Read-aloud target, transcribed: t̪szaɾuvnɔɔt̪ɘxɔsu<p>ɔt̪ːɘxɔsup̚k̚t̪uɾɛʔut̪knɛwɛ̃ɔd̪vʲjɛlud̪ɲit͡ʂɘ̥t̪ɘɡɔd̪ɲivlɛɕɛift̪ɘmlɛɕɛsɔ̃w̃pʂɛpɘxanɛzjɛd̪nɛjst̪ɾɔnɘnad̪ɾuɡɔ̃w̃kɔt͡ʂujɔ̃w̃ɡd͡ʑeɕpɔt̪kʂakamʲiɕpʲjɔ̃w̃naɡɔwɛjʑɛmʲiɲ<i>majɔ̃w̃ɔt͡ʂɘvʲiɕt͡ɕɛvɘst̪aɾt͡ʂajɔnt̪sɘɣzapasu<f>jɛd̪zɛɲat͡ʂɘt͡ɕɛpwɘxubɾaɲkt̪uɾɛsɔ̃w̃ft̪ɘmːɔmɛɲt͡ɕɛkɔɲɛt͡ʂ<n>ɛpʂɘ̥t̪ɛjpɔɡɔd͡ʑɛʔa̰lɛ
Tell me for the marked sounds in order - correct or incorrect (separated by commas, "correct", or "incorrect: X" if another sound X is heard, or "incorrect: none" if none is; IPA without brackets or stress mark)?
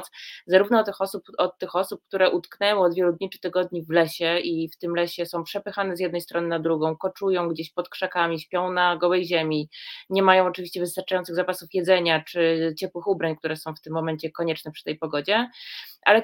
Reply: correct, incorrect: ɛ, correct, correct